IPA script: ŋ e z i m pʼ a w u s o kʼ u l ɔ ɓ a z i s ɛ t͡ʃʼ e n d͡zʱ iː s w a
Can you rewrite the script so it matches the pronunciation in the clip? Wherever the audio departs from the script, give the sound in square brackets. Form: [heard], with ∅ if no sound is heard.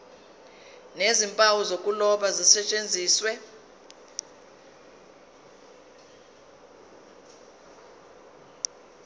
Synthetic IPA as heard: [n] e z i m pʼ a w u [z] o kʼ u l ɔ ɓ a z i s ɛ t͡ʃʼ e n d͡zʱ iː s w [ɛ]